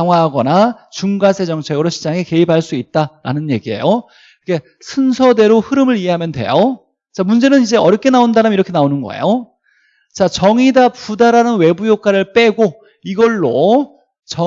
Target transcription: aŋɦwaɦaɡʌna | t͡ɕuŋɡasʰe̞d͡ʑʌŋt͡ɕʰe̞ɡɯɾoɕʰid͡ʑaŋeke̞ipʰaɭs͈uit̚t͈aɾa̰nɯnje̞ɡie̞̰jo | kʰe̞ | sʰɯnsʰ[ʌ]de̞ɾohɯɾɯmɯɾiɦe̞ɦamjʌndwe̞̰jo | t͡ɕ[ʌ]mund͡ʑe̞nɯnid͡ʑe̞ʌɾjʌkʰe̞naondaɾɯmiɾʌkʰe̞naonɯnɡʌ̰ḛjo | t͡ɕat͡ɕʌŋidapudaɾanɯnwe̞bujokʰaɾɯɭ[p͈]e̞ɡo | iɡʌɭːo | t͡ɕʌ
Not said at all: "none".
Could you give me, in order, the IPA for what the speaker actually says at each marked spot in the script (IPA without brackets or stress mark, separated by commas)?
ʌ, a, p͈